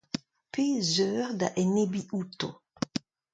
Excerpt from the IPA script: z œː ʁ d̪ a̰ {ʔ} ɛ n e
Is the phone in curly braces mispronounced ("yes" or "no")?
no